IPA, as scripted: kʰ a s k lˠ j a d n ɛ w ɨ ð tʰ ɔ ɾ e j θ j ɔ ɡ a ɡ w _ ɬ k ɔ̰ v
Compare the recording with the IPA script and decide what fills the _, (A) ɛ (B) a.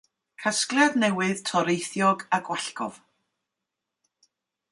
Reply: B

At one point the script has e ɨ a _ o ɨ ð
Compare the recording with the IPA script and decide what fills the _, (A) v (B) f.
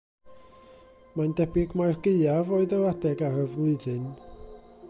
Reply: A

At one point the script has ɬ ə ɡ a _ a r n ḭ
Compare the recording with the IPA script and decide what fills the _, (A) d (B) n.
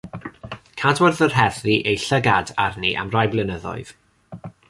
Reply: A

